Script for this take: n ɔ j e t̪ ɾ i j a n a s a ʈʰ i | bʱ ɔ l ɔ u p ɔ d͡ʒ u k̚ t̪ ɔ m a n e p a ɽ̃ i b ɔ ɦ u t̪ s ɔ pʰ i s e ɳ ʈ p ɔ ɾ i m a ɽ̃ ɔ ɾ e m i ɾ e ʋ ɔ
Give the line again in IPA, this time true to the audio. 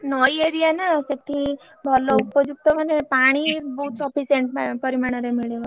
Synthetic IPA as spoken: n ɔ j e ɾ i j a n a s e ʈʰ i | bʱ ɔ l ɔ u p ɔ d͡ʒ u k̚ t̪ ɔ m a n e p a ɽ̃ i b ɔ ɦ u t̪ s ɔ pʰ i s e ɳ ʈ p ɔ ɾ i m a ɽ̃ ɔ ɾ e m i ɭ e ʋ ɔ